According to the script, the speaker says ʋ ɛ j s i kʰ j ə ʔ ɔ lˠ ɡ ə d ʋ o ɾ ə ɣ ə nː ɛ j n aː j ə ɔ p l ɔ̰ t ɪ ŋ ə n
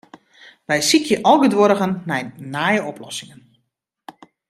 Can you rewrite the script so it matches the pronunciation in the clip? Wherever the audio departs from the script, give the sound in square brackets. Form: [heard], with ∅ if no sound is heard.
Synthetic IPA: ʋ ɛ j s i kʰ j ə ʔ ɔ lˠ ɡ ə d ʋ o ɾ ə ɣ ə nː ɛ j n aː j ə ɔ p l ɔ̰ [s] ɪ ŋ ə n